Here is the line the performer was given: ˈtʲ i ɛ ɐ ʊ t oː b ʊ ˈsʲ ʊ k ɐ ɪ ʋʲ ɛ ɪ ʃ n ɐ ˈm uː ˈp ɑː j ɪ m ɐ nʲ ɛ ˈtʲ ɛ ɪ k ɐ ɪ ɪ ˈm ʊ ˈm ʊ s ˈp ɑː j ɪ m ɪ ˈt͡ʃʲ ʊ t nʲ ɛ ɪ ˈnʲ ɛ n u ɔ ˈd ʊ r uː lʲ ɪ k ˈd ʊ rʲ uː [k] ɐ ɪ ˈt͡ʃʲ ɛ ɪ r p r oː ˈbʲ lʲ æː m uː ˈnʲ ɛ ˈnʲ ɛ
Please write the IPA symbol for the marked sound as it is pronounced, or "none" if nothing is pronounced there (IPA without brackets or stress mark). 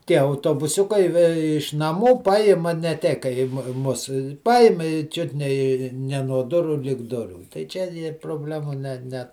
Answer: t